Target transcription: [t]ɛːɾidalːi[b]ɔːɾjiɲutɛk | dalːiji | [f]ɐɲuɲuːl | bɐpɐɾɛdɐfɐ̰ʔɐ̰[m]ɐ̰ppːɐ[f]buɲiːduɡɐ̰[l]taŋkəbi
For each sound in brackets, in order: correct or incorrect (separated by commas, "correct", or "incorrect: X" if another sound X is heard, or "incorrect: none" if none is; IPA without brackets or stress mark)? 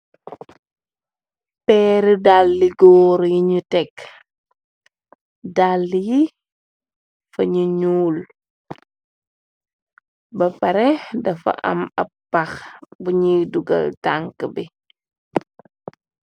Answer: incorrect: p, incorrect: ɡ, correct, correct, incorrect: x, correct